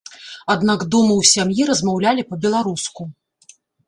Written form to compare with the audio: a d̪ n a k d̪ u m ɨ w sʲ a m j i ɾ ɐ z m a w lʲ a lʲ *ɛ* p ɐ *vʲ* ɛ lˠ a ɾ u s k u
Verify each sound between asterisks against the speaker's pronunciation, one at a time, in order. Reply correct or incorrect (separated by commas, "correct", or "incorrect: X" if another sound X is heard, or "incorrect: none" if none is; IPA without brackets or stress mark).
incorrect: i, incorrect: bʲ